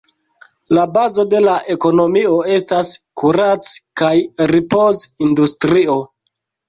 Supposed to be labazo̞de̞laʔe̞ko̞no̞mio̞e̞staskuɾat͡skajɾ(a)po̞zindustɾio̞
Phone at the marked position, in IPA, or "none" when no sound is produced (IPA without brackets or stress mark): i